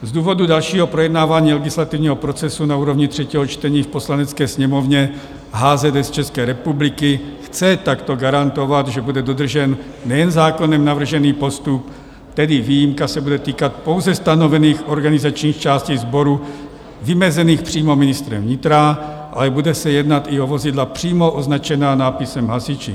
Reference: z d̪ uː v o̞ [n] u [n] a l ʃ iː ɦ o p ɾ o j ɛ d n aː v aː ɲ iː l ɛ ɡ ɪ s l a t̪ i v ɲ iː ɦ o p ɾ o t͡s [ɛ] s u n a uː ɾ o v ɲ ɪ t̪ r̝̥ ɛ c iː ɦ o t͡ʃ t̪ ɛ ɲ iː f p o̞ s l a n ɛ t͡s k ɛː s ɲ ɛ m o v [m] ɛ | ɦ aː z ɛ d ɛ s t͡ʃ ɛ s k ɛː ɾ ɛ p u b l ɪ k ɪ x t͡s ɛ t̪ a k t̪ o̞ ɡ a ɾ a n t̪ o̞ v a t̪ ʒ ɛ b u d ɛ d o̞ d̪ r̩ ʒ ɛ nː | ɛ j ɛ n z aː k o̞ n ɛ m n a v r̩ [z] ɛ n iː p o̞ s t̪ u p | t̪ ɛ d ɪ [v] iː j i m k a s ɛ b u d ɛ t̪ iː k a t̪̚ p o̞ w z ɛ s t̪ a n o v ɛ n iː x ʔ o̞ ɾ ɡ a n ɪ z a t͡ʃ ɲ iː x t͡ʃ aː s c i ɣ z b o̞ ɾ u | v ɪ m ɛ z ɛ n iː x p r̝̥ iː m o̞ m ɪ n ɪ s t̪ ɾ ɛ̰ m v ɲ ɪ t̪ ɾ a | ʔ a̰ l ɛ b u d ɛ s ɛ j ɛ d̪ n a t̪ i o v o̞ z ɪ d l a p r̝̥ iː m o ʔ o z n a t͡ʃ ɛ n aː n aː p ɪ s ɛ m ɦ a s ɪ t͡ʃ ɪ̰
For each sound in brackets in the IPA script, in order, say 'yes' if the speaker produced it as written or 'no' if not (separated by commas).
no, no, yes, no, no, yes